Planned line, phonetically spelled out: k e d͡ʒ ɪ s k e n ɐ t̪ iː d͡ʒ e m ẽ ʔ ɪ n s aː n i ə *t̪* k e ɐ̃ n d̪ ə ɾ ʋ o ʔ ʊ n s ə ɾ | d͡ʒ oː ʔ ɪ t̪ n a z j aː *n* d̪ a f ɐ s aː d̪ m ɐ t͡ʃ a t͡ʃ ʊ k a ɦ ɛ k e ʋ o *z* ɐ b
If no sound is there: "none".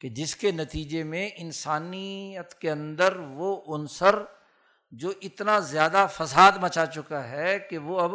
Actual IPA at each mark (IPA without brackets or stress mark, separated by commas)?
t̪, none, none